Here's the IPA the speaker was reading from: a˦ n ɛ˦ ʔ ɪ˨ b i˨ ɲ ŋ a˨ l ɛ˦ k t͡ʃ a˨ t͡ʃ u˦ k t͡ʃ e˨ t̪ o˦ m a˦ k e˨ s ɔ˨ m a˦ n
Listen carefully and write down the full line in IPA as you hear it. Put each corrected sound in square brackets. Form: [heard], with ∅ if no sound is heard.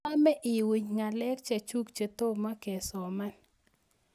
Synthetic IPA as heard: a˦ [m] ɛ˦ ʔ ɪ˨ [w] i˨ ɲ ŋ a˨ l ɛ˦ k t͡ʃ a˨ t͡ʃ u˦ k t͡ʃ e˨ t̪ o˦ m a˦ k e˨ s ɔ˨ m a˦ n